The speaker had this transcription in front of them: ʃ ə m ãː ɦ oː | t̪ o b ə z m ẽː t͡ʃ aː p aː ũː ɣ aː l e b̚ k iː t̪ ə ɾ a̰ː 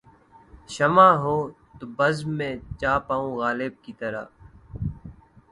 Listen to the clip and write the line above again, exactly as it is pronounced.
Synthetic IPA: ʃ ə m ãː ɦ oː | t̪ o b ə z m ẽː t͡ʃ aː p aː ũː ɣ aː l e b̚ k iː t̪ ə ɾ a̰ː